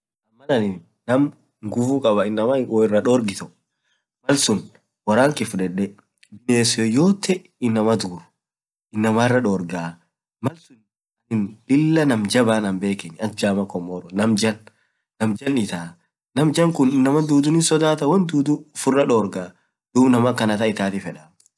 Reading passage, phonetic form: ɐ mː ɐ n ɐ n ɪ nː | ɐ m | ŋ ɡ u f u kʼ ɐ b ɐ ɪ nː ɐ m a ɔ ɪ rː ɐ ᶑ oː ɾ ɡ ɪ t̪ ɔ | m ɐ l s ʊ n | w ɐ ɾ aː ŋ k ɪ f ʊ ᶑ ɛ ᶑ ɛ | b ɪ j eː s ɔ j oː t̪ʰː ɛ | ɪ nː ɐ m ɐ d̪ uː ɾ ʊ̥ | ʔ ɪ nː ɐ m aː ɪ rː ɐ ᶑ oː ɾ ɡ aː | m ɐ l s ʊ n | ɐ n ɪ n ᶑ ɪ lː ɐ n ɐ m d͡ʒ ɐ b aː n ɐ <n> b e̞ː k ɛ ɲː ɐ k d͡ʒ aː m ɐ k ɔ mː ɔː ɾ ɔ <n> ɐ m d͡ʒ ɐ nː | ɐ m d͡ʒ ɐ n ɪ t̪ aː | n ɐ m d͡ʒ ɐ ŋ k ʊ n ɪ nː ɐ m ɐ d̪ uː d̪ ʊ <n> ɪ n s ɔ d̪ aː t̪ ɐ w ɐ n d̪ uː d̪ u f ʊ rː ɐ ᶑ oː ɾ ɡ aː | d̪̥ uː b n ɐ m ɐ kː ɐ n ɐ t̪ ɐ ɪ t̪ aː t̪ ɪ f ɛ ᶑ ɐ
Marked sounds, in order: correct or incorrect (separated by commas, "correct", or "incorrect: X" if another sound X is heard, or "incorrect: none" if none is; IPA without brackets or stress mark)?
incorrect: m, correct, correct